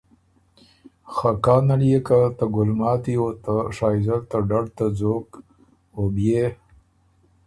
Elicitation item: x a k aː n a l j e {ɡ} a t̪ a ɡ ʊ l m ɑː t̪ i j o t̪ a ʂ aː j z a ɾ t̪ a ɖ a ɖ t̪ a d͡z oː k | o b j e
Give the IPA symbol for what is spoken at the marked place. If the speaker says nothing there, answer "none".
k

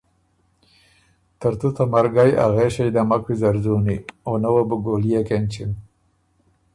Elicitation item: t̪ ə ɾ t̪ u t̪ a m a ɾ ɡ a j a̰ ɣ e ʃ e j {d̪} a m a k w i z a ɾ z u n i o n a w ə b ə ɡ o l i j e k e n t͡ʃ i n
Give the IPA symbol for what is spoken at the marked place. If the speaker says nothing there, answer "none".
d̪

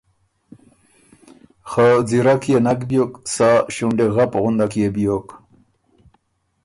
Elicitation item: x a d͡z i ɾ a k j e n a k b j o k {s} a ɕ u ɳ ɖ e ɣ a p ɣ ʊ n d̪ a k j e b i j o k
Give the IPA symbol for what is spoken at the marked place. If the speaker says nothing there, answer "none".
s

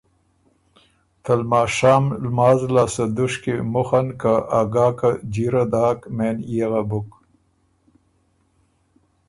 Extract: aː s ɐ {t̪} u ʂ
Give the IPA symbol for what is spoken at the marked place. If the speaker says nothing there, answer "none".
d̪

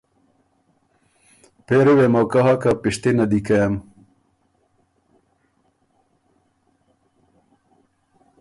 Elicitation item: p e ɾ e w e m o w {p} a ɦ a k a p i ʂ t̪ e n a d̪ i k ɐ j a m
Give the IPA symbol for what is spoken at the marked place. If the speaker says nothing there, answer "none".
k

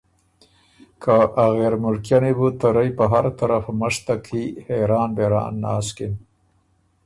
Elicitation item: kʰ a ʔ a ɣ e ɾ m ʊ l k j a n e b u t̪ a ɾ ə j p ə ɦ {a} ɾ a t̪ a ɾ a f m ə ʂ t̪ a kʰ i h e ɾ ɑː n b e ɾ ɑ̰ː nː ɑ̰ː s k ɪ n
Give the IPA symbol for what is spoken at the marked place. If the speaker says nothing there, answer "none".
a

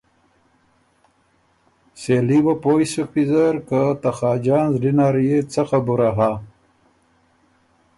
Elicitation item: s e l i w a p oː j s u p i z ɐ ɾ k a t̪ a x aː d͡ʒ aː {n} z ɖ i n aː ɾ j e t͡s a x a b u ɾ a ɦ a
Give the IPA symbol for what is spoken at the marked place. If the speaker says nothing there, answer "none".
n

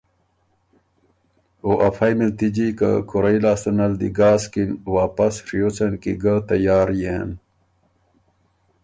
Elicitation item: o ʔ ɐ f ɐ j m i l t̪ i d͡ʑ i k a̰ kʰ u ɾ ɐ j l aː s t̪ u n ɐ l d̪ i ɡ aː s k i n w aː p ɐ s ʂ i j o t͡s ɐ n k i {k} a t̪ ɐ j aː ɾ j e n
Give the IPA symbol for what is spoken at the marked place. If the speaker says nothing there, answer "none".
ɡ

